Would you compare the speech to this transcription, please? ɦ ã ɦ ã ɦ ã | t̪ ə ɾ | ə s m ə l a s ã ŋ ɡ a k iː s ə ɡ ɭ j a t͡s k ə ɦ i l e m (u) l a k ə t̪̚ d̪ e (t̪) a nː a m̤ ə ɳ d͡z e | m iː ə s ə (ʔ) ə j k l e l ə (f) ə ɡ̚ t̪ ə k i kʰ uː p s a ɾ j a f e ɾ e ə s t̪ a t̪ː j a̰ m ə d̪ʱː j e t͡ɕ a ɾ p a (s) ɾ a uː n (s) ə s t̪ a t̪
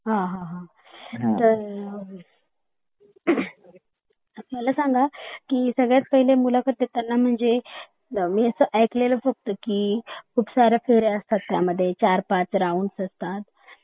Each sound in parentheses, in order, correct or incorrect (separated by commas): correct, correct, correct, correct, incorrect, correct